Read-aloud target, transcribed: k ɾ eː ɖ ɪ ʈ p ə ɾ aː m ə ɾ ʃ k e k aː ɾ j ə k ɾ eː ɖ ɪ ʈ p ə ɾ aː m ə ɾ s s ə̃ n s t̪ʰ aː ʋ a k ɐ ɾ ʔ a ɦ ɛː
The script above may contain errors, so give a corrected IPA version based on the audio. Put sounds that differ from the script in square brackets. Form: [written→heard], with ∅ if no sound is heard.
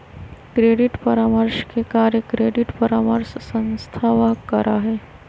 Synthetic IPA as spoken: k ɾ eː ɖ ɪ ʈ p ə ɾ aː m ə ɾ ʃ k e k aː ɾ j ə k ɾ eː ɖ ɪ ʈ p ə ɾ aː m ə ɾ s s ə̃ n s t̪ʰ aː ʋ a k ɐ ɾ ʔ a ɦ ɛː